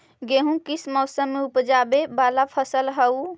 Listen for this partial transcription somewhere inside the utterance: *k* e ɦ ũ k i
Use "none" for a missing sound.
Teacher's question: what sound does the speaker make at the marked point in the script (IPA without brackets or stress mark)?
ɡ